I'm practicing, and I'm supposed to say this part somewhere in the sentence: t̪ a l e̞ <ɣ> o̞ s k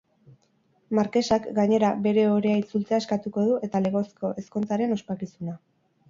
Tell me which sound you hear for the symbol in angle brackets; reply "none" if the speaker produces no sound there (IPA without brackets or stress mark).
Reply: ɣ